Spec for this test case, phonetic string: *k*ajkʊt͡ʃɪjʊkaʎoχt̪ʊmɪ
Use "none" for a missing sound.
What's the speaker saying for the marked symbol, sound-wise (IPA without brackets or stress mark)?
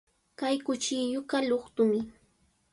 k